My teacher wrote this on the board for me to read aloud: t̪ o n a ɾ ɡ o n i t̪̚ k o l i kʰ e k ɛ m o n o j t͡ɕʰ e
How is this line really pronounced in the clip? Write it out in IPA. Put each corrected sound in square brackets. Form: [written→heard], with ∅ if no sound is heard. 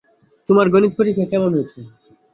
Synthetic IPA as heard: t̪ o [n→m] a ɾ ɡ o n i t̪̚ [k→p] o [l→ɾ] i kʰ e k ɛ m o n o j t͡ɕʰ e